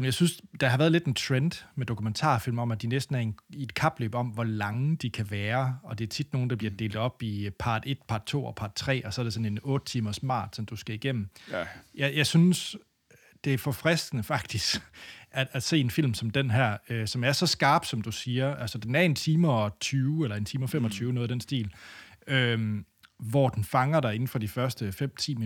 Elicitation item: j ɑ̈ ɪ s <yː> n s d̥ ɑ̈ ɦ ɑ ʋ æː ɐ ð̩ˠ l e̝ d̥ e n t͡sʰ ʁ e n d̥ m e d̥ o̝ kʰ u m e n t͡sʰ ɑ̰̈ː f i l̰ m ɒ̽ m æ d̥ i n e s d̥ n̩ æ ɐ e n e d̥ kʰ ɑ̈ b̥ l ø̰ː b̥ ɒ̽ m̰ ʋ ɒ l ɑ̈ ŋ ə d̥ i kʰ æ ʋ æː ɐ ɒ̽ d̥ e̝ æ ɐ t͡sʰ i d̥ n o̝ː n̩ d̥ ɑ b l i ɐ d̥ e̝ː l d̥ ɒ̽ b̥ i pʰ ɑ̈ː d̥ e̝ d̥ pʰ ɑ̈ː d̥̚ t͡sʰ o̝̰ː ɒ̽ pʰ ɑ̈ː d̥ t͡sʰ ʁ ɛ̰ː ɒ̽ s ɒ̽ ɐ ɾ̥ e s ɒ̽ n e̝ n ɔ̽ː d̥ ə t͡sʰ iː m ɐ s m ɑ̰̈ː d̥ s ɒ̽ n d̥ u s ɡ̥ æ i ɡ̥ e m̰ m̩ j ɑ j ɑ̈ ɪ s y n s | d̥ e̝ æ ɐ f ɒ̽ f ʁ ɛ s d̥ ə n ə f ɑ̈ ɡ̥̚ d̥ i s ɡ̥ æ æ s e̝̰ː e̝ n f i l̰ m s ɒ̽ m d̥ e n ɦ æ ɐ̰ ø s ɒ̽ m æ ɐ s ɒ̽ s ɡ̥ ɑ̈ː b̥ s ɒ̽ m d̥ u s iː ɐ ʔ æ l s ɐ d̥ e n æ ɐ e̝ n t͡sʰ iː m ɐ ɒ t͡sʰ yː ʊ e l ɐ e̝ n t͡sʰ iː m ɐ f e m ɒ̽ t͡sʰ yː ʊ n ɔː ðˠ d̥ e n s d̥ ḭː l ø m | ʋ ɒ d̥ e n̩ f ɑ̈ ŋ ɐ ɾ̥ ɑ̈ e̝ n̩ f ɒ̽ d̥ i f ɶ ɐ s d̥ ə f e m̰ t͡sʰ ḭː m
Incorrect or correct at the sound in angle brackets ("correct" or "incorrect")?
incorrect